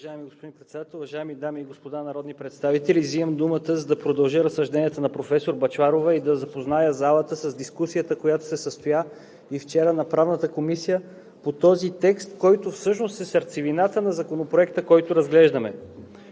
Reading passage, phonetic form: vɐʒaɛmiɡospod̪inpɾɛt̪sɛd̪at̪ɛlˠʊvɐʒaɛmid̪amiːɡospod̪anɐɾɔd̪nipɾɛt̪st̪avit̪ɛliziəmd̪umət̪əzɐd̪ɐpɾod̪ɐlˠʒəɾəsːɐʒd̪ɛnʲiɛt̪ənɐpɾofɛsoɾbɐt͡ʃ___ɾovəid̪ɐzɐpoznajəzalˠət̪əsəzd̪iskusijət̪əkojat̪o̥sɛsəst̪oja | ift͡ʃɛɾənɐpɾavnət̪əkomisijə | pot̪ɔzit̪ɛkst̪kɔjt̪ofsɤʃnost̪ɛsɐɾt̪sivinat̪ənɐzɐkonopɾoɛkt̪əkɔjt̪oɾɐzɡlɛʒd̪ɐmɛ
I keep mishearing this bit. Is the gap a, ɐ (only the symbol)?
a